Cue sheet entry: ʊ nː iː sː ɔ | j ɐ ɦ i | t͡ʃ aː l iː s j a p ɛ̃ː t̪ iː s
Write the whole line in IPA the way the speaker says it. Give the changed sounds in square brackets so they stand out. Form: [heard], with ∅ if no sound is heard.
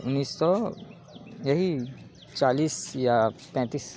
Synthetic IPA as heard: ʊ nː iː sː ɔ | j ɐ ɦ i | t͡ʃ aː l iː s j a p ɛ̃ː t̪ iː s